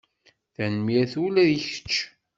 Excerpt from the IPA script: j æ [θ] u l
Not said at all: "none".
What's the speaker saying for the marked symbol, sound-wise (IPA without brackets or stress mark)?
θ